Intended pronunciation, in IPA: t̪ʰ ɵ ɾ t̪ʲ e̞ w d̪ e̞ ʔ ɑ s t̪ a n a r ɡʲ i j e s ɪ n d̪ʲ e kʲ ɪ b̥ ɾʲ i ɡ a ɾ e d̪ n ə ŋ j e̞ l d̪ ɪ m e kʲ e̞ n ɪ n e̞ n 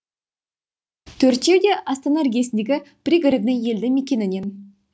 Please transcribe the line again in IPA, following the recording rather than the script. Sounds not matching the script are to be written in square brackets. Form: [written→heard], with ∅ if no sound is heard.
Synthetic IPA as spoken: t̪ʰ ɵ ɾ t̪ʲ e̞ w d̪ e̞ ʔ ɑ s t̪ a n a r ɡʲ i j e s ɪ n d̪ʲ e [kʲ→ɡʲ] ɪ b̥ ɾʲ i ɡ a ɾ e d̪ n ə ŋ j e̞ l d̪ ɪ m e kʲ e̞ n ɪ n e̞ n